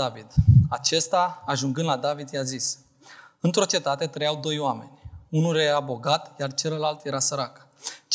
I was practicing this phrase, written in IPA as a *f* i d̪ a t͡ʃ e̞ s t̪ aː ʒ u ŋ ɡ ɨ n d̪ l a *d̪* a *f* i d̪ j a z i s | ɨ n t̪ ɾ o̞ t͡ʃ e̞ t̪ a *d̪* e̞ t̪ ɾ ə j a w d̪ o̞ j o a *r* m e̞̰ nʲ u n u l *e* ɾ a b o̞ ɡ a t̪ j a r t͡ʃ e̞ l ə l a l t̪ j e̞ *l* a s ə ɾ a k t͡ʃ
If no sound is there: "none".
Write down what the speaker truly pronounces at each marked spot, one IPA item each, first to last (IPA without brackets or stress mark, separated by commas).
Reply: v, d̪, v, t̪, none, e, ɾ